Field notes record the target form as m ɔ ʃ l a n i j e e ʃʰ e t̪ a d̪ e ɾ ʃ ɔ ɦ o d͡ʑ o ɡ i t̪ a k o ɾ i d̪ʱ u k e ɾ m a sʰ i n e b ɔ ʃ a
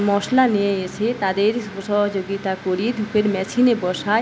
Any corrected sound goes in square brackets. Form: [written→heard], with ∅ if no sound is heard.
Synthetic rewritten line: m ɔ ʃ l a n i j e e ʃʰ e t̪ a d̪ e ɾ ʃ ɔ ɦ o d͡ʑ o ɡ i t̪ a k o ɾ i d̪ʱ u k e ɾ m [a→ɛ] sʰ i n e b ɔ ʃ a